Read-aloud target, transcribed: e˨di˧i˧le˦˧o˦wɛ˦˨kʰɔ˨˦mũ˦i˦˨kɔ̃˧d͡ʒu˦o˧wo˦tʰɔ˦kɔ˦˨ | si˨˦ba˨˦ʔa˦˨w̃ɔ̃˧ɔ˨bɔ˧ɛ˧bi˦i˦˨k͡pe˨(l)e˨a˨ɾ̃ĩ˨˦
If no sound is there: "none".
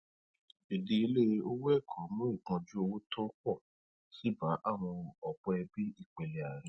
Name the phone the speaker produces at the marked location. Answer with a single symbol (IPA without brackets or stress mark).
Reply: l